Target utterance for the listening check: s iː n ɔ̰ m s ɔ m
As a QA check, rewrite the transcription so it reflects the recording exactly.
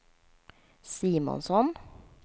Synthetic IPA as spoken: s iː m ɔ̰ n s ɔ n

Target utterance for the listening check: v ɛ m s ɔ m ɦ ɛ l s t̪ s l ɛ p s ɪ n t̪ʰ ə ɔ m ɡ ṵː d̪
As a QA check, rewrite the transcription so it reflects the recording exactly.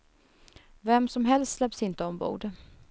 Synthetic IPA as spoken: v ɛ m s ɔ m ɦ ɛ l s t̪ s l ɛ p s ɪ n t̪ ə ɔ m b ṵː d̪

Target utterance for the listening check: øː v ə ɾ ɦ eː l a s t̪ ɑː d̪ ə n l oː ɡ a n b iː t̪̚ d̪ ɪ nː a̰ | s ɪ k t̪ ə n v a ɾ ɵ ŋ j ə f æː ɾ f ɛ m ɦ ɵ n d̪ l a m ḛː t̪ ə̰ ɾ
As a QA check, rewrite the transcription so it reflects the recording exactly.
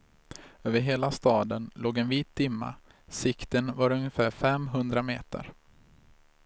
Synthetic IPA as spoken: øː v ə ɾ ɦ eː l a s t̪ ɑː d̪ ə n l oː ɡ ɛ n v iː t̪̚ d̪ ɪ mː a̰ | s ɪ k t̪ ə n v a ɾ ɵ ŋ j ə f æː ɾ f ɛ m ɦ ɵ n d̪ ɾ a m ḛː t̪ ə̰ ɾ

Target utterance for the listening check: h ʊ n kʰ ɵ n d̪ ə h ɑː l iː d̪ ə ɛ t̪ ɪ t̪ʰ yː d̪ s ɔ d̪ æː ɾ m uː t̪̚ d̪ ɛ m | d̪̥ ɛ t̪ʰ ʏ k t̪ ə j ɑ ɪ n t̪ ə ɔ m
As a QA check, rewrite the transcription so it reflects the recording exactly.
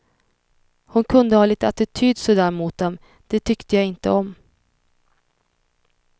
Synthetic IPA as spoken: h ʊ n kʰ ɵ n d̪ ə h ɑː l iː t̪ ə a t̪ ɪ t̪ʰ yː d̪ s ɔ d̪ æː ɾ m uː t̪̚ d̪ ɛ m | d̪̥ ɛ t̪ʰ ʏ k t̪ ə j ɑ ɪ n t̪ ə ɔ m

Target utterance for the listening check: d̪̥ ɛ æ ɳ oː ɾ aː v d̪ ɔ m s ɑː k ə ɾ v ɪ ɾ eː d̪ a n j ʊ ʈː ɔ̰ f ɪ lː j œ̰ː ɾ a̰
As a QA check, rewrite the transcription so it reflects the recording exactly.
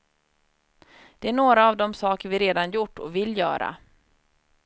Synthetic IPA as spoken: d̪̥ ɛ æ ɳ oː ɾ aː v d̪ ɔ m s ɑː k ə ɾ v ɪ ɾ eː d̪ a n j ʊ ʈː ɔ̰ v ɪ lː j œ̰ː ɾ a̰

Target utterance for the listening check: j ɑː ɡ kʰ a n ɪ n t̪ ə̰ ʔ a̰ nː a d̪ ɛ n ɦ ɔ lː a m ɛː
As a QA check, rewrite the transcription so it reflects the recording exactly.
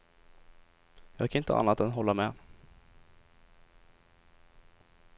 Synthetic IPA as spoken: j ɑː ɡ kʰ a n ɪ n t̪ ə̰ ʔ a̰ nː a t̪ ɛ n ɦ ɔ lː a m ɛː

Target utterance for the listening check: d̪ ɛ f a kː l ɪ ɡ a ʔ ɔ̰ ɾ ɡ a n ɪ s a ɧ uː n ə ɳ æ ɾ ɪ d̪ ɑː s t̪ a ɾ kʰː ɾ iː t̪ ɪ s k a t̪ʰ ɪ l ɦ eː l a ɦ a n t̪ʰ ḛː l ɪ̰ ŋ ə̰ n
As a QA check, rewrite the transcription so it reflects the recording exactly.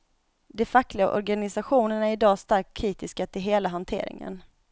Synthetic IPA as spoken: d̪ ɛ f a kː l ɪ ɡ a ʔ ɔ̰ ɾ ɡ a n ɪ s a ɧ uː n ə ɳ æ ɾ ɪ d̪ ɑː s t̪ a ɾ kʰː ɾ iː t̪ ɪ s k a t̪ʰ ɪ l ɦ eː l a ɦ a n t̪ʰ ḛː ɾ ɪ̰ ŋ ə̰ n

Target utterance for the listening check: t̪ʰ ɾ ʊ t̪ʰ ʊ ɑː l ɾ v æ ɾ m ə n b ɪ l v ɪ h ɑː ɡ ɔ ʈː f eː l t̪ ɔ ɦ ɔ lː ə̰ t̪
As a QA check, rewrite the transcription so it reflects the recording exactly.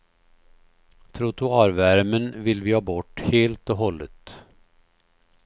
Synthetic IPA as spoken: t̪ʰ ɾ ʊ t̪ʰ ʊ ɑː ɾ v æ ɾ m ə n v ɪ l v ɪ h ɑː b ɔ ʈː h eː l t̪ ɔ ɦ ɔ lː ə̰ t̪

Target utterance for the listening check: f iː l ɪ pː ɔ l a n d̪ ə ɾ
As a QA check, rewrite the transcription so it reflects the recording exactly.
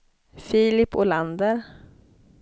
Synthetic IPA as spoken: f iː l ɪ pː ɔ l a n d̪ ə ɾ

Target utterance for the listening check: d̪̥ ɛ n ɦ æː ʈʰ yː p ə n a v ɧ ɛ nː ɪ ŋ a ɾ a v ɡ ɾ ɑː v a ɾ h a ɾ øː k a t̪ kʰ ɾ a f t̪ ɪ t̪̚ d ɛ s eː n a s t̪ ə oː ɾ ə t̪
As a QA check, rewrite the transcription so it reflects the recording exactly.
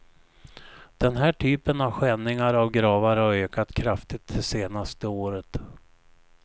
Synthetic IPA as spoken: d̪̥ ɛ n ɦ æː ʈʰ yː p ə n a v ɧ ɛ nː ɪ ŋ a ɾ a v ɡ ɾ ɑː v a ɾ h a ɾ øː k a t̪ kʰ ɾ a f t̪ ɪ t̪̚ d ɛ s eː n a s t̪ ə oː ɾ ə t̪

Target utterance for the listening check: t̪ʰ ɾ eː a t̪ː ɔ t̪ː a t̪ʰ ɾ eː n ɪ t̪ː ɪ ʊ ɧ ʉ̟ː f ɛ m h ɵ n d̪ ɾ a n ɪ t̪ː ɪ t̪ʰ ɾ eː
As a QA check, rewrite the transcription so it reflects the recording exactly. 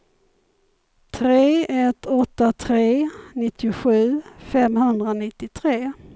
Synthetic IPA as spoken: t̪ʰ ɾ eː ɛ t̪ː ɔ t̪ː a t̪ʰ ɾ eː n ɪ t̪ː ɪ ʊ ɧ ʉ̟ː f ɛ m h ɵ n d̪ ɾ a n ɪ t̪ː ɪ t̪ʰ ɾ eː

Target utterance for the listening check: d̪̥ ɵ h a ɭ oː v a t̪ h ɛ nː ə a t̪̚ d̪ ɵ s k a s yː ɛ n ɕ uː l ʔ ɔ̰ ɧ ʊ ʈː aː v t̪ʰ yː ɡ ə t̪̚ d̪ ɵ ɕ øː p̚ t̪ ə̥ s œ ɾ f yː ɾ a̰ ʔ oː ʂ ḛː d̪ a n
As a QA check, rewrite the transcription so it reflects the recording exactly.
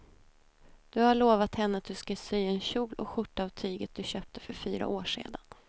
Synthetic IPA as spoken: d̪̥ ɵ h a ɭ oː v a t̪ h ɛ nː ə a t̪̚ d̪ ɵ s k a s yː ɛ n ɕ uː l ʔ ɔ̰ ɧ ʊ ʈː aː v t̪ʰ yː ɡ ə t̪̚ d̪ ɵ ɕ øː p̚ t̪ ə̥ f œ ɾ f yː ɾ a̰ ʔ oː ʂ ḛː d̪ a n

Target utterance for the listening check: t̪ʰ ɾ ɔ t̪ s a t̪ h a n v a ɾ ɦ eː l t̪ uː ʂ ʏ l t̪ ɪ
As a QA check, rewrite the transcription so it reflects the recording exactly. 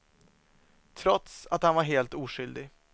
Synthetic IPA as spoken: t̪ʰ ɾ ɔ t̪ s a t̪ h a n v a ɾ ɦ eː l t̪ uː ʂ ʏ l d̪ ɪ

